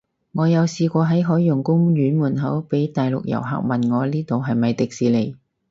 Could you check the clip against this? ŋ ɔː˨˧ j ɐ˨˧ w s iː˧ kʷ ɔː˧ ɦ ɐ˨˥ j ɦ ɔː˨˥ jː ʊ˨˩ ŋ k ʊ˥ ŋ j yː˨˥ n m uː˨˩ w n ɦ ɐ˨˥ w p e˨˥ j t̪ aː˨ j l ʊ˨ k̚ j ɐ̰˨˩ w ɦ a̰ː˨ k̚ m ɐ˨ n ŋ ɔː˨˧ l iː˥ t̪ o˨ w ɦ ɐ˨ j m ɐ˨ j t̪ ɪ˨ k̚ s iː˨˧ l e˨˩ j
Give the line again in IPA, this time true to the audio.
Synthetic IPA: ŋ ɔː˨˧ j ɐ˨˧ w s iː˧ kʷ ɔː˧ ɦ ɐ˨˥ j ɦ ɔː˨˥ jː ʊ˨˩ ŋ k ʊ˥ ŋ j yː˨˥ n m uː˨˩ n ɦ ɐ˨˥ w p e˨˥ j t̪ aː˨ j l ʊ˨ k̚ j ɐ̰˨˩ w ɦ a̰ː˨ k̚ m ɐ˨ n ŋ ɔː˨˧ l iː˥ t̪ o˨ w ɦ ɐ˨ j m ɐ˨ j t̪ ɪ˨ k̚ s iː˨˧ l e˨˩ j